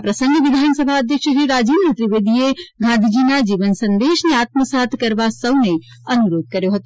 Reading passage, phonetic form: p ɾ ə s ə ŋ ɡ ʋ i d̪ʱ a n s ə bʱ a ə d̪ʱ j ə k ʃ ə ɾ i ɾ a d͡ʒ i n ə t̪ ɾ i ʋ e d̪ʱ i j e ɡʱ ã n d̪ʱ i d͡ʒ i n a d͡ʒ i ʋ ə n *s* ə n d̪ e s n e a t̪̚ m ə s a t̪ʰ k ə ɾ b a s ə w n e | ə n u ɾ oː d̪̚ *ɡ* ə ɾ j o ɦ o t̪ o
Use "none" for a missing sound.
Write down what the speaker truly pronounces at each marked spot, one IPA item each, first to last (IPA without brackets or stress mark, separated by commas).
s, k